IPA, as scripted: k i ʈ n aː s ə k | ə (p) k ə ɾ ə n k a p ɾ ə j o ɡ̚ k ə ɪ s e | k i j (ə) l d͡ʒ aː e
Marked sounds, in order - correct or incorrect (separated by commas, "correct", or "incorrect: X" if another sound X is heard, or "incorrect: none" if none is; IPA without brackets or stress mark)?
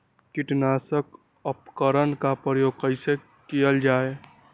correct, correct